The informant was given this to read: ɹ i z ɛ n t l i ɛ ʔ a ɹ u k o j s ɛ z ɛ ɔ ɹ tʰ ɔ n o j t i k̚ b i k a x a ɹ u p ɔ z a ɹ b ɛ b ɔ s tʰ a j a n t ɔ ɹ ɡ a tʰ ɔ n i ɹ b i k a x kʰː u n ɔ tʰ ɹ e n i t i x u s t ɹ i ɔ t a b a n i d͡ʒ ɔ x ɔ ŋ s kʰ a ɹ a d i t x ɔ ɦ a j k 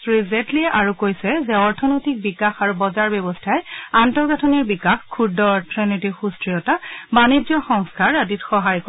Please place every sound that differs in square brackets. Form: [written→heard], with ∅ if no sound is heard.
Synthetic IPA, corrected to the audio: ɹ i z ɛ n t l i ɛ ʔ a ɹ u k o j s ɛ z ɛ ɔ ɹ tʰ ɔ n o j t i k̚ b i k a x a ɹ u [p→b] ɔ z a ɹ b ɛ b ɔ s tʰ a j a n t ɔ ɹ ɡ a tʰ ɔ n i ɹ b i k a x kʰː u [n→d] ɔ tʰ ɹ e n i t i x u s t ɹ i ɔ t a b a n i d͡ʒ ɔ x ɔ ŋ s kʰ a ɹ a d i t x ɔ ɦ a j k

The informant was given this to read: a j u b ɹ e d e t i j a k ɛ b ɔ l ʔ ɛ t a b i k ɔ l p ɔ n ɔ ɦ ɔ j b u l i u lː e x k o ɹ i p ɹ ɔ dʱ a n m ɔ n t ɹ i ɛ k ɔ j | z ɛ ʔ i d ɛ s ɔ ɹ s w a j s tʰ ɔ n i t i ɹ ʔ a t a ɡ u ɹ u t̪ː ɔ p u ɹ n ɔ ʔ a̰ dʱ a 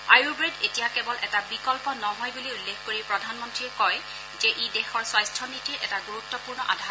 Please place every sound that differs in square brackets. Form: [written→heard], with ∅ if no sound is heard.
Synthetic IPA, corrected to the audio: a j u b ɹ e d e t i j a k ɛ b ɔ l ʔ ɛ t a b i k ɔ l p ɔ n ɔ ɦ ɔ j b u l i u lː e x k o ɹ i p ɹ ɔ dʱ a n m ɔ n t ɹ i ɛ k ɔ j | z ɛ ʔ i d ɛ [s→x] ɔ ɹ s w a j s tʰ ɔ n i t i ɹ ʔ [a→ɛ] t a ɡ u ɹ u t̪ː ɔ p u ɹ n ɔ ʔ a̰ dʱ a

